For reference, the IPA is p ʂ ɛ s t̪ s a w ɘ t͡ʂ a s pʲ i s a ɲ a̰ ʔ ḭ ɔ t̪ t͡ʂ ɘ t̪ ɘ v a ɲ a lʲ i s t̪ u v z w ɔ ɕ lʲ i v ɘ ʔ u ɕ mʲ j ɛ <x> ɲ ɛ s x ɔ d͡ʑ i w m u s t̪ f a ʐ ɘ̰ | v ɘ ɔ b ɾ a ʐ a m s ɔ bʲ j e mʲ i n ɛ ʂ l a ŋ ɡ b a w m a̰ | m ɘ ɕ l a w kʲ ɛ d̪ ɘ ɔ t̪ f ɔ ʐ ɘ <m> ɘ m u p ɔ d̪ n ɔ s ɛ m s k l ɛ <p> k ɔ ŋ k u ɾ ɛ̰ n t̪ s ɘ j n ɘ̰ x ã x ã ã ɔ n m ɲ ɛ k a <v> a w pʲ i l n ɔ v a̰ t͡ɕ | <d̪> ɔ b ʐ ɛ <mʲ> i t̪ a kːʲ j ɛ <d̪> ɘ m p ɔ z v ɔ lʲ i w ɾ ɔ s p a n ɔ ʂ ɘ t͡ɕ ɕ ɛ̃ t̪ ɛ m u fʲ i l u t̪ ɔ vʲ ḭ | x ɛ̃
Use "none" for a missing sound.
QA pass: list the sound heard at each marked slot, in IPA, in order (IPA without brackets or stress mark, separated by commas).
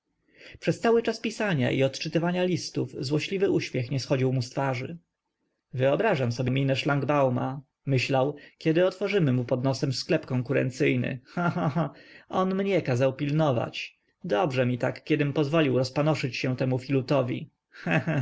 x, m, p, z, d̪, mʲ, d̪